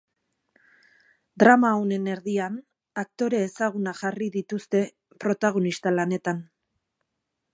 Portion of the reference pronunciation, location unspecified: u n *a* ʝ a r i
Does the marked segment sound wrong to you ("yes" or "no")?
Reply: no